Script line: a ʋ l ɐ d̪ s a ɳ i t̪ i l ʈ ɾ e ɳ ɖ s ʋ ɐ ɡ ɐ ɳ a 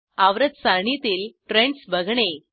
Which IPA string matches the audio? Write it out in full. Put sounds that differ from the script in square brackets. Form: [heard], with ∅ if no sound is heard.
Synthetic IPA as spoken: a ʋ [ɾ] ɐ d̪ s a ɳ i t̪ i l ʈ ɾ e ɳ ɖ s ʋ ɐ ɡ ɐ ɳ [e]

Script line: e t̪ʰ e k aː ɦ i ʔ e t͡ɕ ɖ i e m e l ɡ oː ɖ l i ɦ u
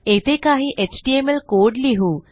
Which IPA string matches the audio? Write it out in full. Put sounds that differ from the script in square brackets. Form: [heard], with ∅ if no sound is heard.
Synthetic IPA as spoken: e [t̪] e k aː ɦ i ʔ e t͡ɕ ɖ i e m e l [k] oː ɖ l i ɦ u

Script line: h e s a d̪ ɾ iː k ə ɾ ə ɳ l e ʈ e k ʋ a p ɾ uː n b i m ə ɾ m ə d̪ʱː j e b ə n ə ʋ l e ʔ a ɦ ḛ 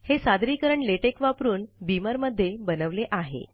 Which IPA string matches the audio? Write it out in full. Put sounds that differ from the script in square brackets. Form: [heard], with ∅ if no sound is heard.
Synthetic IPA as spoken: h e s a d̪ ɾ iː k ə ɾ ə ɳ l e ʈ e k ʋ a p ɾ uː n b i m ə ɾ m ə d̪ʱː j e b ə n ə ʋ l e ʔ a ɦ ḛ

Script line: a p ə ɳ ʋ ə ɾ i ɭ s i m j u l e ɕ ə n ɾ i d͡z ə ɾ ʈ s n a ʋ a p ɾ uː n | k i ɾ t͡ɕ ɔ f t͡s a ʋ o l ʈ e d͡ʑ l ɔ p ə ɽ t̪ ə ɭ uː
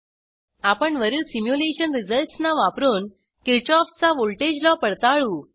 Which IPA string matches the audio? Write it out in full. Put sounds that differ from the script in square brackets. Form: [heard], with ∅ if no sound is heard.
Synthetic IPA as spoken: a p ə ɳ ʋ ə ɾ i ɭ s i m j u l e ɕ ə n ɾ i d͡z ə [l] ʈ s n a ʋ a p ɾ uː n | k i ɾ t͡ɕ ɔ f t͡s a ʋ o l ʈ e d͡ʑ l ɔ p ə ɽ t̪ [a] ɭ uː

